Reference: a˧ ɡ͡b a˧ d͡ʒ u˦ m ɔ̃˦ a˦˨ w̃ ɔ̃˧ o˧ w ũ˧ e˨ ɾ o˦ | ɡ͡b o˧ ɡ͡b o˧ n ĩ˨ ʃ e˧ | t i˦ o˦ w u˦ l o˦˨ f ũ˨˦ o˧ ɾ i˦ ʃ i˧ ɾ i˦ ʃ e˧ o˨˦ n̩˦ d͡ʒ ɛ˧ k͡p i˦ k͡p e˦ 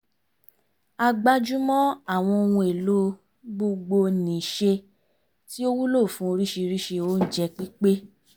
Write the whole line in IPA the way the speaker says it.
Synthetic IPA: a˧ ɡ͡b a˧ d͡ʒ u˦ m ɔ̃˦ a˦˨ w̃ ɔ̃˧ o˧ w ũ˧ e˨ l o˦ | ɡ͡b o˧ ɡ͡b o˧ n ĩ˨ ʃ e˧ | t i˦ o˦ w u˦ l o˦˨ f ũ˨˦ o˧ ɾ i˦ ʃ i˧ ɾ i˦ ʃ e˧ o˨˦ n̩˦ d͡ʒ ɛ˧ k͡p i˦ k͡p e˦